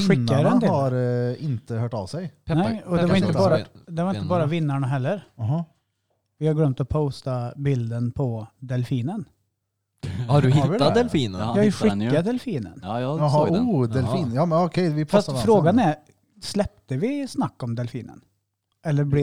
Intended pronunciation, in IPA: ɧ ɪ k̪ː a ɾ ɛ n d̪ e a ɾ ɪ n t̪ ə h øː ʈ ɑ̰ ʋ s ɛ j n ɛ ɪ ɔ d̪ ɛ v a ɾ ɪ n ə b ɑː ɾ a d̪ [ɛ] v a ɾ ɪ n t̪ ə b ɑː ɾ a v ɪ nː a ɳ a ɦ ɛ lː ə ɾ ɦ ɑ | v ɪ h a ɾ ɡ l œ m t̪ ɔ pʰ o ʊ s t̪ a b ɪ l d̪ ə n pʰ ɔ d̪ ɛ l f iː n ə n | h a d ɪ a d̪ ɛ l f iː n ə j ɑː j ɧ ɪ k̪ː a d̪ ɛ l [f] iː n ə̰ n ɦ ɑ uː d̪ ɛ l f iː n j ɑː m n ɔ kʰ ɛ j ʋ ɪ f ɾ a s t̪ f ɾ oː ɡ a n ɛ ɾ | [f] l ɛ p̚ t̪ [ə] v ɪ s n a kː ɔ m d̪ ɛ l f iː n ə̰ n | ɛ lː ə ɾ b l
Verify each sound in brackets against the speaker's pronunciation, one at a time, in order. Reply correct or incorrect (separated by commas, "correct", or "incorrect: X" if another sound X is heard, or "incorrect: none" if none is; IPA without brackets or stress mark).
correct, correct, incorrect: s, correct